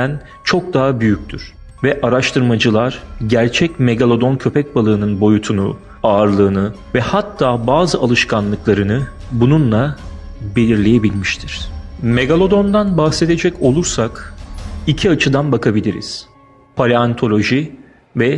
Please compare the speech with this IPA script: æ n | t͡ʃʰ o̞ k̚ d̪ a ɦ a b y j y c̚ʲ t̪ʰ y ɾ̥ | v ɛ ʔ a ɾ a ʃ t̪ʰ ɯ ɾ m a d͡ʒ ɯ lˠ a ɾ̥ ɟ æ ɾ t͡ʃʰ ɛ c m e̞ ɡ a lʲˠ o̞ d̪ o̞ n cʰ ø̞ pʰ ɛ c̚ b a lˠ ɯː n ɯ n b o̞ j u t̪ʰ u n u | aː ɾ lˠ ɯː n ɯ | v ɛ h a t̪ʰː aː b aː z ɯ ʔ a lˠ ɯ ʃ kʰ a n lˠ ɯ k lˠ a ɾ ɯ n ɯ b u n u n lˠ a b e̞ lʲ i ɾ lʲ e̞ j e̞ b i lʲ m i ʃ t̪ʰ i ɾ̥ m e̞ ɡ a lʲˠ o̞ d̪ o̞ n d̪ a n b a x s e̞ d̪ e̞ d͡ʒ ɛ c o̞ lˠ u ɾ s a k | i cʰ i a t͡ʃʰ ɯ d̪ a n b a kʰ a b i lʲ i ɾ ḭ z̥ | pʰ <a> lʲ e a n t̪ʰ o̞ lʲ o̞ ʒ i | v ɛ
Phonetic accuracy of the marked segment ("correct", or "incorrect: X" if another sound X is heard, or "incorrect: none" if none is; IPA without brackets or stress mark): correct